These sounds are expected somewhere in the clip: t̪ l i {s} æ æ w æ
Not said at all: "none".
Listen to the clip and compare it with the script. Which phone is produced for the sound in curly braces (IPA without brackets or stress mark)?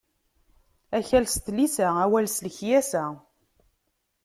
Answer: s